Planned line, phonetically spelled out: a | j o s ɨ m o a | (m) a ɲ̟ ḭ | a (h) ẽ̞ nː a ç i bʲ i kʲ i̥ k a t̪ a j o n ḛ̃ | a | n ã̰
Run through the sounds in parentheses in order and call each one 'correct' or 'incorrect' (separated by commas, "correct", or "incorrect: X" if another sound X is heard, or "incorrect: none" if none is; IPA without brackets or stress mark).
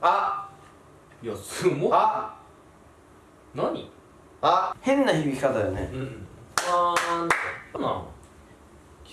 incorrect: n, correct